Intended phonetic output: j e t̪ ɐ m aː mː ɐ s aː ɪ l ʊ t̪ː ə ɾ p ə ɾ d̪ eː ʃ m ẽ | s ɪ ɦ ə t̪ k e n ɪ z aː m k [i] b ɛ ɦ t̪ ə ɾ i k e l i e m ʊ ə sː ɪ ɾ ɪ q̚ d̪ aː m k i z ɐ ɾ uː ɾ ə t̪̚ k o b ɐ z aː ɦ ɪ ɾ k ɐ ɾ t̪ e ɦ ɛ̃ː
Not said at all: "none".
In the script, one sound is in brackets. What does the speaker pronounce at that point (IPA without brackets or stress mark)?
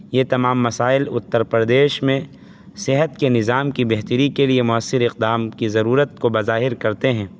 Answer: i